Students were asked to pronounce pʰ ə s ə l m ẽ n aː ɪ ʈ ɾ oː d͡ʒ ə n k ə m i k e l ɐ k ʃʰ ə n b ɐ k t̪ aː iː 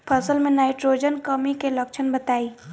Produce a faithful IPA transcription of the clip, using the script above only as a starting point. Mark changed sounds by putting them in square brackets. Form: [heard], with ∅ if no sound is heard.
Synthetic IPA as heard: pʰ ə s ə l m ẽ n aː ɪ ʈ ɾ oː d͡ʒ ə n k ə m i k e l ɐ k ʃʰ ə n b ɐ [∅] t̪ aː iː